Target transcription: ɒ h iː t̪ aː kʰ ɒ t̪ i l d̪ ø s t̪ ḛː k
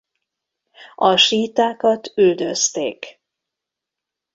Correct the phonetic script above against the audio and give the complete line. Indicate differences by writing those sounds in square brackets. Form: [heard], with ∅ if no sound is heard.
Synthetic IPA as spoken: ɒ [ʃ] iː t̪ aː [k] ɒ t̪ [y] l d̪ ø s t̪ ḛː k

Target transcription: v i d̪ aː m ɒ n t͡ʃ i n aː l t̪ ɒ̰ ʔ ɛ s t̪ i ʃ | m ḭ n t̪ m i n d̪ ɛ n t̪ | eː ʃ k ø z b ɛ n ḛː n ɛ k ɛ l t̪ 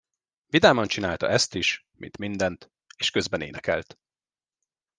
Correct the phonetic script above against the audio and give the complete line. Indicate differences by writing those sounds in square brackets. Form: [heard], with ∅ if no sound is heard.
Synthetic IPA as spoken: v i d̪ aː m ɒ n t͡ʃ i n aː l t̪ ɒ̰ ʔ ɛ s t̪ i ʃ | m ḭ n t̪ m i n d̪ ɛ n t̪ | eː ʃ k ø z b ɛ n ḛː n ɛ k ɛ l t̪

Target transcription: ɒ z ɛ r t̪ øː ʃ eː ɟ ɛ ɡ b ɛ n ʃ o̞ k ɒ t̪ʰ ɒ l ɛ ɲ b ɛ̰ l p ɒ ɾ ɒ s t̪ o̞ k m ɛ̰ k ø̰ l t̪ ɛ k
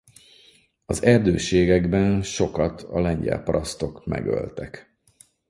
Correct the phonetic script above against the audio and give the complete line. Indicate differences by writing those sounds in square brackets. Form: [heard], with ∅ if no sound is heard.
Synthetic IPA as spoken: ɒ z ɛ r [d̪] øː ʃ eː [ɡ] ɛ ɡ b ɛ n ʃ o̞ k ɒ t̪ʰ ɒ l ɛ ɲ [ɟ] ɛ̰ l p ɒ ɾ ɒ s t̪ o̞ k m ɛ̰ [ɡ] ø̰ l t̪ ɛ k

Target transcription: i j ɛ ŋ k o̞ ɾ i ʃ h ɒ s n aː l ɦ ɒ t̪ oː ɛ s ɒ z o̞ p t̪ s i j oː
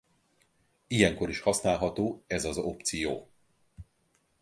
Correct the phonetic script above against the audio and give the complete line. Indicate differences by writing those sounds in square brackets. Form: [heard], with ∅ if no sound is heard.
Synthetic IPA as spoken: i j ɛ ŋ k o̞ ɾ i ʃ h ɒ s n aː l ɦ ɒ t̪ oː ɛ [z] ɒ z o̞ p t̪ s i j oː

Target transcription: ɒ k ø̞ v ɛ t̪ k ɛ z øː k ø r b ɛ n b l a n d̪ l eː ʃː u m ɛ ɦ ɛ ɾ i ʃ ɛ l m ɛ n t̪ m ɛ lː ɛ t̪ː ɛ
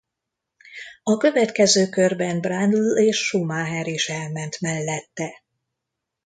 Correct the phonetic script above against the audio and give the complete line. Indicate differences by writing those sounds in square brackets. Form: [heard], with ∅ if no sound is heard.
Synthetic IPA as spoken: ɒ k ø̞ v ɛ t̪ k ɛ z øː k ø r b ɛ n b [r] a n d̪ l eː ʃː u m [a] ɦ ɛ ɾ i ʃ ɛ l m ɛ n t̪ m ɛ lː ɛ t̪ː ɛ

